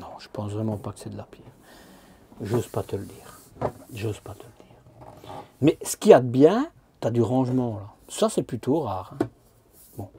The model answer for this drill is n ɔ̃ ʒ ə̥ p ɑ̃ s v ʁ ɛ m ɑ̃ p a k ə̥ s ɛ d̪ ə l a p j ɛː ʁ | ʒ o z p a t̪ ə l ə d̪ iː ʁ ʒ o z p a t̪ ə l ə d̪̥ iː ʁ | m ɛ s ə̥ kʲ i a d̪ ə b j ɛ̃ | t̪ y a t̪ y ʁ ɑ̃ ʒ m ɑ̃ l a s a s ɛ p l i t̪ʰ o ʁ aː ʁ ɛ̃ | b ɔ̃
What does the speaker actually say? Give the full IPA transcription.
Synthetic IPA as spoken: n ɔ̃ ʒ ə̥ p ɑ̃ s v ʁ ɛ m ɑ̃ p a k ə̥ s ɛ d̪ ə l a p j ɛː ʁ | ʒ o z p a t̪ ə l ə d̪ iː ʁ ʒ o z p a t̪ ə l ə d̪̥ iː ʁ | m ɛ s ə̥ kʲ i a d̪ ə b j ɛ̃ | t̪ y a d̪ y ʁ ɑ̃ ʒ m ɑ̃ l a s a s ɛ p l y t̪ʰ o ʁ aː ʁ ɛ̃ | b ɔ̃